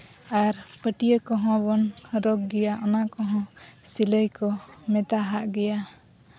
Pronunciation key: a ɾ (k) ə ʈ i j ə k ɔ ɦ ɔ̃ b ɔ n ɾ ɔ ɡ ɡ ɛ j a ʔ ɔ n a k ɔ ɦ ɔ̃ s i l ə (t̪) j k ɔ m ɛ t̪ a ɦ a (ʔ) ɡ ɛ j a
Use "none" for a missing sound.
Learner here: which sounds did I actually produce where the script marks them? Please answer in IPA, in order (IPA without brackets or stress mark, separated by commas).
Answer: p, none, ʔ